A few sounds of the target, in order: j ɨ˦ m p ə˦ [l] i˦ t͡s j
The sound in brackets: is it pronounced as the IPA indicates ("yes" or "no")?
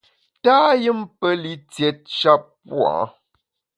yes